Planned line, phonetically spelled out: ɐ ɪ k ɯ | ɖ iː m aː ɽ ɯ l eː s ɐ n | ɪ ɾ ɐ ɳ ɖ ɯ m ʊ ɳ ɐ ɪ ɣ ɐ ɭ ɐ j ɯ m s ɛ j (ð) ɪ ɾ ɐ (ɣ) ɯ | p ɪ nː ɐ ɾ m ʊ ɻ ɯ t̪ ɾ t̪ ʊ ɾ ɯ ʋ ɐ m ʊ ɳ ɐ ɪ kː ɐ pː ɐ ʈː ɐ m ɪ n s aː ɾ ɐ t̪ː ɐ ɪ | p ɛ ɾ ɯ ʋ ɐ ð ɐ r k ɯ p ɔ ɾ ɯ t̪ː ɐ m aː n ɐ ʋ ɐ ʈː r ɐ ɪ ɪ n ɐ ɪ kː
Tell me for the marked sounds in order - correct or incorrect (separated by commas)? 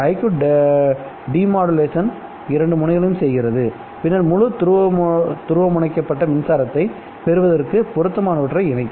incorrect, incorrect